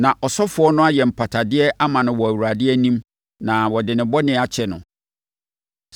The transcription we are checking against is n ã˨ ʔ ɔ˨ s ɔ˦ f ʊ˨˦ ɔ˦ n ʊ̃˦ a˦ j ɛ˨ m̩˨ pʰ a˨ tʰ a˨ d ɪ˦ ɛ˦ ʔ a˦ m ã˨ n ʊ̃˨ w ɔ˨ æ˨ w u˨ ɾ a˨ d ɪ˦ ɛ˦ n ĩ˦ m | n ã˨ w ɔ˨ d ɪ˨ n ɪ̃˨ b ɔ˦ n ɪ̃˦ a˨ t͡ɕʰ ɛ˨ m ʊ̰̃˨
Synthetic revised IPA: n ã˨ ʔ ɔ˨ s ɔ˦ f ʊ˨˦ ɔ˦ n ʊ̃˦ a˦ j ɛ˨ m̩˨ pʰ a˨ tʰ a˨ d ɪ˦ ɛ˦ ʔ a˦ m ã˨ n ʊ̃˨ w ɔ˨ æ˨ w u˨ ɾ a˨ d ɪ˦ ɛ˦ n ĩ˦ m | n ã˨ w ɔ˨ d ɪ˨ n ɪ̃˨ b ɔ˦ n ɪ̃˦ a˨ t͡ɕʰ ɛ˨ n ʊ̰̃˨